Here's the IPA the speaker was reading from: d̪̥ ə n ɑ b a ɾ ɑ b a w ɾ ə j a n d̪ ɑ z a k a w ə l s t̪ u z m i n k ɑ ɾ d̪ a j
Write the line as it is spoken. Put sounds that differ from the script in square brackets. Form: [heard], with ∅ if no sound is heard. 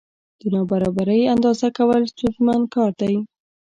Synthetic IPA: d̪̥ ə n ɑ b a ɾ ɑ b a [∅] ɾ ə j a n d̪ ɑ z a k a w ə l s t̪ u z m [a] n k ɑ ɾ d̪ a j